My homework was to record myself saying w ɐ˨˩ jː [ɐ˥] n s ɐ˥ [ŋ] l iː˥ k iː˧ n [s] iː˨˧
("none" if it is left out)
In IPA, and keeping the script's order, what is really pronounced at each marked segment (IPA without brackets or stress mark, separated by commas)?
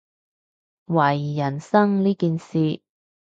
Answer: ɐ˨˩, ŋ, s